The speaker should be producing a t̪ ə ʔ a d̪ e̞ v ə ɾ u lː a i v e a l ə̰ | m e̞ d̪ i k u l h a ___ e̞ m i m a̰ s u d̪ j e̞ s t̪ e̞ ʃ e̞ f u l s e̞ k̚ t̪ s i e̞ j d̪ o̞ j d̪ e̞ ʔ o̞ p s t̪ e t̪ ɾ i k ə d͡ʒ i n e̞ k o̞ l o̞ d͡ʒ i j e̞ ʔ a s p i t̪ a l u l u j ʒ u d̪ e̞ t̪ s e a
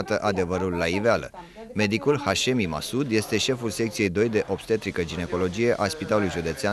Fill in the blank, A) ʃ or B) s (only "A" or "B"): A